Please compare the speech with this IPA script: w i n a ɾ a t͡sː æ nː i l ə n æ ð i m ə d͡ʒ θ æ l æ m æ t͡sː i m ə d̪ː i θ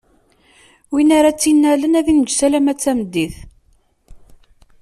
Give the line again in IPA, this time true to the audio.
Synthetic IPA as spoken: w i n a ɾ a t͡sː i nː æ l ə n æ ð i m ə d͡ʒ s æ l æ m æ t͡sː æ m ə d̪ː i θ